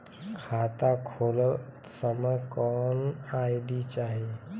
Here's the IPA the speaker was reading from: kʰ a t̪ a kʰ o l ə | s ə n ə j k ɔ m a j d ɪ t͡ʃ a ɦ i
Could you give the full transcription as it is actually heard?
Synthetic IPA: kʰ a t̪ a kʰ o l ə | s ə m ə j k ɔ n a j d i t͡ʃ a ɦ i

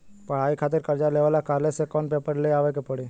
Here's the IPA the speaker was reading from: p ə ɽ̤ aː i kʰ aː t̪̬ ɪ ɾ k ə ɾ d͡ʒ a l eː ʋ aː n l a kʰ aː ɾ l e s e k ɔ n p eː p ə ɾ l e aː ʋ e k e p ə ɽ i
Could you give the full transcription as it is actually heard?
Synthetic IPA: p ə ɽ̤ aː i kʰ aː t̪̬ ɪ ɾ k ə ɾ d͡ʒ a l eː ʋ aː l a k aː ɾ l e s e k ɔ n p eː p ə ɾ l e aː ʋ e k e p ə ɽ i

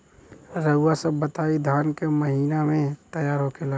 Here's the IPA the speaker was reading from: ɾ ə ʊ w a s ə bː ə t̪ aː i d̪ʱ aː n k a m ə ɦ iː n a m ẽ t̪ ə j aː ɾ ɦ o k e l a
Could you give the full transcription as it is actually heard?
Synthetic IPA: ɾ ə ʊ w a s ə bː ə t̪ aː i d̪ʱ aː n k e m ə ɦ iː n a m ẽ t̪ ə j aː ɾ ɦ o k e l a

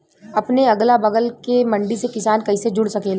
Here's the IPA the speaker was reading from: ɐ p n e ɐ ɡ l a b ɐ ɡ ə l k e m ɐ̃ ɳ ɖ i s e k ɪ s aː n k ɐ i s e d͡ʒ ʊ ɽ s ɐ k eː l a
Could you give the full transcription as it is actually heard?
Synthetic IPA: ɐ p n e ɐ ɡ l a b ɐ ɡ ə l k e m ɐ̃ ɳ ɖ i s e k ɪ s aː n k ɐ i s e d͡ʒ ʊ ɽ s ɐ k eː l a

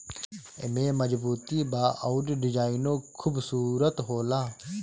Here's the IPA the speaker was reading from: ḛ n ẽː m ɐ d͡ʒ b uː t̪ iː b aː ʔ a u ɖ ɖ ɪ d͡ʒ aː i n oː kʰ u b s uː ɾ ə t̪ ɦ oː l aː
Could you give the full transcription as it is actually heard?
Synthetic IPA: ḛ m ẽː m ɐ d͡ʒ b uː t̪ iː b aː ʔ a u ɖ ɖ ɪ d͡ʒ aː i n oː kʰ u b s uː ɾ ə t̪ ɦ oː l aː

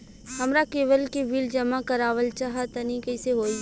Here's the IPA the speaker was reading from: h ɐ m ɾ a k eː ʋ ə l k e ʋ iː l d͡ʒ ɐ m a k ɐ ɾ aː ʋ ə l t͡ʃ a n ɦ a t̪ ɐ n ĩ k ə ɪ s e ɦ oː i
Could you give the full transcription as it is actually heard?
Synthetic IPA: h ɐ m ɾ a k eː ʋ ə l k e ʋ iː l d͡ʒ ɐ m a k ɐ ɾ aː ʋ ə l t͡ʃ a ɦ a t̪ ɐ n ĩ k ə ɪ s e ɦ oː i

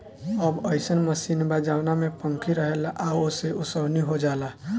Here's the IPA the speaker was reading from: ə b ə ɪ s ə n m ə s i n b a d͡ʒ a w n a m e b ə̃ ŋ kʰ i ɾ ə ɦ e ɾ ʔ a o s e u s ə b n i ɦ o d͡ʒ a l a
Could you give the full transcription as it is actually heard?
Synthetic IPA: ə b ə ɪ s ə n m ə s i n b a d͡ʒ a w n a m e p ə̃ ŋ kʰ i ɾ ə ɦ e l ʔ a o s e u s ə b n i ɦ o d͡ʒ a l a

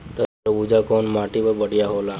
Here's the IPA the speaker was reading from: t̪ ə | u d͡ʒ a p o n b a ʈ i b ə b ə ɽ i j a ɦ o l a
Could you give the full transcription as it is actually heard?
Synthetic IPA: t̪ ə | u d͡ʒ a k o n m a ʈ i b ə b ə ɽ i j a ɦ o l a

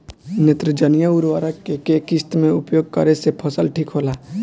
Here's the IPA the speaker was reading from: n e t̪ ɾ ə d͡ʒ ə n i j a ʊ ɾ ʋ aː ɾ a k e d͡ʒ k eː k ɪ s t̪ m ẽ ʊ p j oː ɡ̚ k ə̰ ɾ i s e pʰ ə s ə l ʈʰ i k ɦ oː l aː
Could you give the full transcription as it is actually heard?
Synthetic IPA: n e t̪ ɾ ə d͡ʒ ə n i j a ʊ ɾ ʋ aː ɾ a k e k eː k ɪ s t̪ m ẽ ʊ p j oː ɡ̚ k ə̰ ɾ e s e pʰ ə s ə l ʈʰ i k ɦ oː l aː

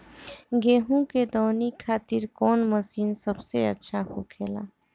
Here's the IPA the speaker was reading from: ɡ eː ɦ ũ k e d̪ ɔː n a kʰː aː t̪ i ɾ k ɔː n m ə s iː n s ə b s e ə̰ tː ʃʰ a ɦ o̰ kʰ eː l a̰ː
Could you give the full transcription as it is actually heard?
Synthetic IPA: ɡ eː ɦ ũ k e d̪ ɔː n i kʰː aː t̪ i ɾ k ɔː n m ə s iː n s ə b s e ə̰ tː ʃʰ a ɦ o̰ kʰ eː l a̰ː

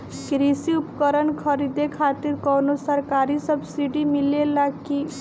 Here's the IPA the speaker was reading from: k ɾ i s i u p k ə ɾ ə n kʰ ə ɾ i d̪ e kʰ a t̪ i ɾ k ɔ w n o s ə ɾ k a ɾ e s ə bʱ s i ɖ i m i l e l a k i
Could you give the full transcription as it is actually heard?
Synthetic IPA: k ɾ i s i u p k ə ɾ ə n kʰ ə ɾ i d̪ e kʰ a t̪ i ɾ k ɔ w n o s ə ɾ k a ɾ i s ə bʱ s i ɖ i m i l e l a k i

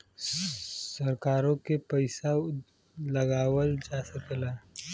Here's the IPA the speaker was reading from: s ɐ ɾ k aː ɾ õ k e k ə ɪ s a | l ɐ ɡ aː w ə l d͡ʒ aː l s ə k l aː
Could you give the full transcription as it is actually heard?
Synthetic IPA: s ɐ ɾ k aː ɾ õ k e p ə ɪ s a | l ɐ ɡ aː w ə l d͡ʒ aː s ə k l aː

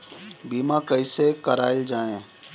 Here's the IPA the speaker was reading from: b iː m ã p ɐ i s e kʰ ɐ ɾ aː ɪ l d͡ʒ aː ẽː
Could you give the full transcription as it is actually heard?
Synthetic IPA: b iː m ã k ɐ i s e k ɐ ɾ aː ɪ l d͡ʒ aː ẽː

